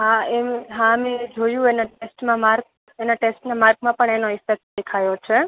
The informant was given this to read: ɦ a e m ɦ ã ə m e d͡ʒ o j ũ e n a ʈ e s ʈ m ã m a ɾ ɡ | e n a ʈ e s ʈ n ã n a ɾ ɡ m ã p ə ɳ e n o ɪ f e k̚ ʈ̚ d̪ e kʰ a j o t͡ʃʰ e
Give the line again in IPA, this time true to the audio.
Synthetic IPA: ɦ a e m ɦ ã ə m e d͡ʒ o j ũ e n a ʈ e s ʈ m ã m a ɾ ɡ | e n a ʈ e s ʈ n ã m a ɾ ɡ m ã p ə ɳ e n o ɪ f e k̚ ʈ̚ d̪ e kʰ a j o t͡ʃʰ e